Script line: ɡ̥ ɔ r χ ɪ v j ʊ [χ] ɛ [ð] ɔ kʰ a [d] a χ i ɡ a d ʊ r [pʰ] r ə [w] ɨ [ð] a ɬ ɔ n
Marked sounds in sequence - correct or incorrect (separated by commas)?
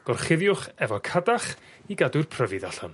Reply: correct, incorrect, correct, correct, incorrect, correct